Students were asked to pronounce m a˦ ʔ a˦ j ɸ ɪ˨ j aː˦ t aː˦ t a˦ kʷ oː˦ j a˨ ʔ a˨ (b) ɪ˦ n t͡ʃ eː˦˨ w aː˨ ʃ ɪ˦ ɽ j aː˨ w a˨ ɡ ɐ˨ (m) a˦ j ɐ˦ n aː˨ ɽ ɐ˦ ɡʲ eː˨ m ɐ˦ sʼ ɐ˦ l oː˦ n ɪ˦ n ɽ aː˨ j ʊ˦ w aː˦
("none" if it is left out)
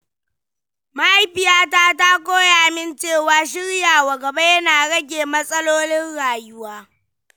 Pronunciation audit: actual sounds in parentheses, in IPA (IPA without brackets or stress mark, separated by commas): m, b